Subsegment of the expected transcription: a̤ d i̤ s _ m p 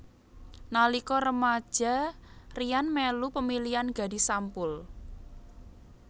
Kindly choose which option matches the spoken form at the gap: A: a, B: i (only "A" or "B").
A